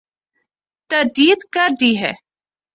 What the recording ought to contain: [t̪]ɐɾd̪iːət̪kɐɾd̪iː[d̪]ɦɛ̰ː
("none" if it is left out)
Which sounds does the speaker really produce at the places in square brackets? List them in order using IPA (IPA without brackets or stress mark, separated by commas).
t̪, none